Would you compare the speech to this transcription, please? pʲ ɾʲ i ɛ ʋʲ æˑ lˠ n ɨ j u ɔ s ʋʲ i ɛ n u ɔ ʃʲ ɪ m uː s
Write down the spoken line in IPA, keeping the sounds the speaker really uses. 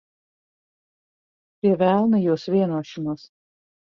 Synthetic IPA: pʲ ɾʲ i ɛ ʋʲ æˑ lˠ n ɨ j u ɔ s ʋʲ i ɛ n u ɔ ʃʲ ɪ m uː s